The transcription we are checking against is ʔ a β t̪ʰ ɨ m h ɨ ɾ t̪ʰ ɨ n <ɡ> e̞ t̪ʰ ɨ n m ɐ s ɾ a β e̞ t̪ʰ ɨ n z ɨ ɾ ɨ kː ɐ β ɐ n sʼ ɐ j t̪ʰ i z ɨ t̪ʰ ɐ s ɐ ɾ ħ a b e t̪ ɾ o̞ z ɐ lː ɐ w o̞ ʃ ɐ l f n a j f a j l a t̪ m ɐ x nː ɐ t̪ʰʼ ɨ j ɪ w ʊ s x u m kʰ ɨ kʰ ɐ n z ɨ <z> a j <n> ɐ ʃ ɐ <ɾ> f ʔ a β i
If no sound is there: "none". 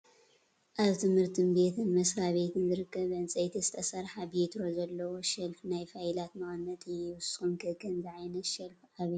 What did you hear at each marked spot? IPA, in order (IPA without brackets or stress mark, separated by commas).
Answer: b, ʕ, n, l